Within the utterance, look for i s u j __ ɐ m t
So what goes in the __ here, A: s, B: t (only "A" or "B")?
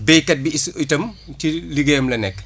B